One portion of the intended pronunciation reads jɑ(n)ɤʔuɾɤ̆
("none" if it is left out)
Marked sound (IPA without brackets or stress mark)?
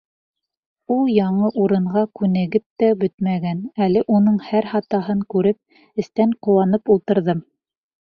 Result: ɴ